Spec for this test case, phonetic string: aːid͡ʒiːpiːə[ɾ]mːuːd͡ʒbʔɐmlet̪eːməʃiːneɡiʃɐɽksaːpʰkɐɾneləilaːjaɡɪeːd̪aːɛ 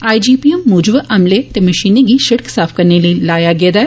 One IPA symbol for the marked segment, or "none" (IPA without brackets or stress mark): none